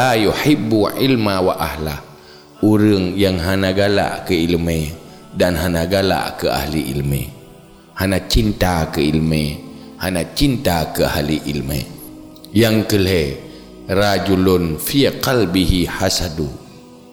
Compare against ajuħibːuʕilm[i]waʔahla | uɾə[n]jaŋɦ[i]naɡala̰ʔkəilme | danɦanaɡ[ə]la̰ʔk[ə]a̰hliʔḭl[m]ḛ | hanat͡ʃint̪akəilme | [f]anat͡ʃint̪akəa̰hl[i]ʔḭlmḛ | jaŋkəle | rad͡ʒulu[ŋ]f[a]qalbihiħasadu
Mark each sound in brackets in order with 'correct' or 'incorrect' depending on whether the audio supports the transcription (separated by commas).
incorrect, incorrect, incorrect, incorrect, correct, correct, incorrect, correct, incorrect, incorrect